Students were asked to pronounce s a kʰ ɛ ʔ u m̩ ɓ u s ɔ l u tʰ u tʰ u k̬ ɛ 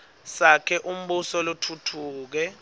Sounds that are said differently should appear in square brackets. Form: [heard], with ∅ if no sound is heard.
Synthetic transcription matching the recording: s a kʰ ɛ ʔ u m̩ ɓ u s ɔ l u tʰ u tʰ [uː] k̬ ɛ